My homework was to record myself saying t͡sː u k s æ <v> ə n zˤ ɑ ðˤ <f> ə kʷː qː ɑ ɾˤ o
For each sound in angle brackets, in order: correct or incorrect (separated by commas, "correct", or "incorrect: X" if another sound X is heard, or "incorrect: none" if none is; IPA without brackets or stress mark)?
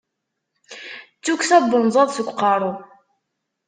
incorrect: b, incorrect: s